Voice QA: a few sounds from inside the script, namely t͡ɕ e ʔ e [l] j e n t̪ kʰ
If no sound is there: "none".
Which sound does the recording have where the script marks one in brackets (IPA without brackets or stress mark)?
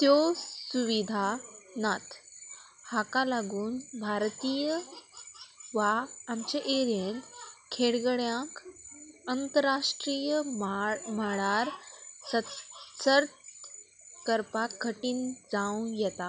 ɾ